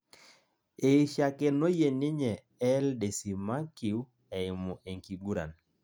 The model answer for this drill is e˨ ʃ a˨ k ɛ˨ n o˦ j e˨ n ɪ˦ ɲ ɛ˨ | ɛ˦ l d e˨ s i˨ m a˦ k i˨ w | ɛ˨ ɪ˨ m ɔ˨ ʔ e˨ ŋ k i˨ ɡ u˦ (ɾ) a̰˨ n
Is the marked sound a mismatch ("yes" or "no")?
no